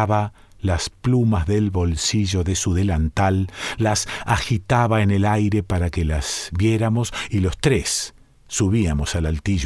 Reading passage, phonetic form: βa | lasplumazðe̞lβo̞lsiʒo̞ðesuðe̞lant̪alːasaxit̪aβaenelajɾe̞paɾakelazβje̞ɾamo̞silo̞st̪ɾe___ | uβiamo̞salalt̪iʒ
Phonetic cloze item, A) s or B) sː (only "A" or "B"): B